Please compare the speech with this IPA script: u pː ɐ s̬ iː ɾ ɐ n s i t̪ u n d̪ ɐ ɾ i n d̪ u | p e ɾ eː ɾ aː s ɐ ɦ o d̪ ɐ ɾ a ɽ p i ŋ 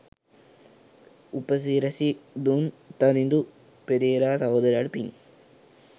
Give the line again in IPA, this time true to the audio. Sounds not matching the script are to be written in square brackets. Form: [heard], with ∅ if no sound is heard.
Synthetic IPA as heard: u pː ɐ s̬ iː ɾ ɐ [∅] s i [d̪] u n [t̪] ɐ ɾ i n d̪ u | p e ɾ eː ɾ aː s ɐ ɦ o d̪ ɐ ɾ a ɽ p i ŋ